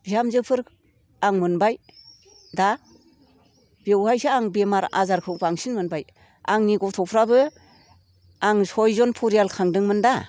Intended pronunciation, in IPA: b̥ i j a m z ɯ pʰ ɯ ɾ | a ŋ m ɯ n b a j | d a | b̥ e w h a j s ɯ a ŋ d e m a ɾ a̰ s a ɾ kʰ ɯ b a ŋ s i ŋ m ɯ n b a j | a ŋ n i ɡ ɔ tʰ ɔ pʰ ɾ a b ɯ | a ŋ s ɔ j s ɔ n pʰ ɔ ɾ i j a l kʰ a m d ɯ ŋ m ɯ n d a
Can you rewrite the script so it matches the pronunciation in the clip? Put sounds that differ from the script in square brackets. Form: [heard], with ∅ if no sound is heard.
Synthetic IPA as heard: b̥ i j a m z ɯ pʰ ɯ ɾ | a ŋ m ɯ n b a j | d a | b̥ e w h a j s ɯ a ŋ [b] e m a ɾ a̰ [z] a ɾ kʰ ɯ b a ŋ s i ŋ m ɯ n b a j | a ŋ n i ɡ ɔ tʰ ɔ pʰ ɾ a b ɯ | a ŋ s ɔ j [z] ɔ n pʰ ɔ ɾ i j a l kʰ a [ŋ] d ɯ ŋ m ɯ n d a